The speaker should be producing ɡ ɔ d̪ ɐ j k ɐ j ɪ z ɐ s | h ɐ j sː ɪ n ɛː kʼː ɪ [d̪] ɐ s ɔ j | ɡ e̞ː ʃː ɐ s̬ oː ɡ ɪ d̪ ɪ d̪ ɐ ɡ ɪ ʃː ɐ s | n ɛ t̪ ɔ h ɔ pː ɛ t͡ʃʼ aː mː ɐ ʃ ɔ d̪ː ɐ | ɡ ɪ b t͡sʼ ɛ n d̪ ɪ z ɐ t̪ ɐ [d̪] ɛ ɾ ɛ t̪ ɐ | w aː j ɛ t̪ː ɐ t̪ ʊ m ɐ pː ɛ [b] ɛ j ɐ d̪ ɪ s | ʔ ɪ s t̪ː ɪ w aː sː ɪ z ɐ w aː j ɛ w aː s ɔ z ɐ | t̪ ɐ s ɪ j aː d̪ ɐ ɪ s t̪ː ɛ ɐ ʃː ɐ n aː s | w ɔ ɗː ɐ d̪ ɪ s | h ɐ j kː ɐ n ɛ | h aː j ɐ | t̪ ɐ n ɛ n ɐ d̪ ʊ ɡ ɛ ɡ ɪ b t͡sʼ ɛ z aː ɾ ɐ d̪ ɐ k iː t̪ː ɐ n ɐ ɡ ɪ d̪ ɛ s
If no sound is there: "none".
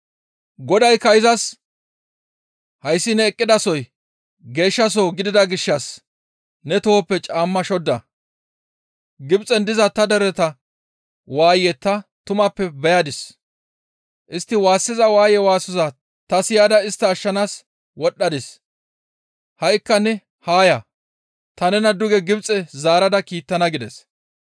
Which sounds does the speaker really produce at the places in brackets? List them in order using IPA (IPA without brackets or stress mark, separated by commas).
d̪, d̪, b